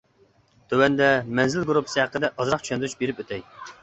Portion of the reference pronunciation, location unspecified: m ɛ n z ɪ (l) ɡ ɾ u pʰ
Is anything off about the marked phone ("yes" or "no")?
no